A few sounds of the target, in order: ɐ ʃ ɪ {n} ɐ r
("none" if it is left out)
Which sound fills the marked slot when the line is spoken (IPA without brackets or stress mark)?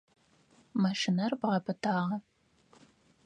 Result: n